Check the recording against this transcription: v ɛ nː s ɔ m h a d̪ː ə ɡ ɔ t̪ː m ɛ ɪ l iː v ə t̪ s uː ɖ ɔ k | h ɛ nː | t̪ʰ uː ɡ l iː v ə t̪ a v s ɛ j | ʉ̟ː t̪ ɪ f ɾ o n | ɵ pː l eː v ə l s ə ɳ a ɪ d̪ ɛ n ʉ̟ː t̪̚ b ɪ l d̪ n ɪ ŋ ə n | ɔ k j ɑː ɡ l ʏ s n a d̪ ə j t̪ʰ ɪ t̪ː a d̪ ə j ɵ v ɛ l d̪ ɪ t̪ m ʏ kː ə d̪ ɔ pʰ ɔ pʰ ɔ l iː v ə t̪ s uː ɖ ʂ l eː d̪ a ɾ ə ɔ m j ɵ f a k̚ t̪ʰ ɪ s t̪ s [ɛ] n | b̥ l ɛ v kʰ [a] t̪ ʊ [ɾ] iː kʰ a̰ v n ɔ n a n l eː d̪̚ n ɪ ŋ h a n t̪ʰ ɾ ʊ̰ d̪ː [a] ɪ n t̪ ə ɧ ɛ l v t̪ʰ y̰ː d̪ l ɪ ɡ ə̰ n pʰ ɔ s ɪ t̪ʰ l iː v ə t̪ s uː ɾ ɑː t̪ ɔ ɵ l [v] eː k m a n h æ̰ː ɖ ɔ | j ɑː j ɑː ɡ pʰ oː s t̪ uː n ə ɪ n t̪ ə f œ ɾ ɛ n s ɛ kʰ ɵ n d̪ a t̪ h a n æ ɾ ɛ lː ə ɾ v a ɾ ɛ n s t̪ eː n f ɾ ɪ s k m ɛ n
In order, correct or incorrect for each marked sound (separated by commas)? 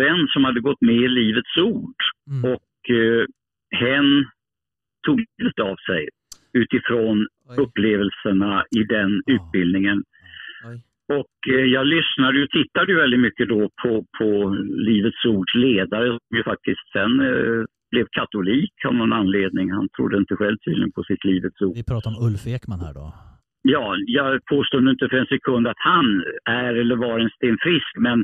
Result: correct, correct, incorrect, incorrect, incorrect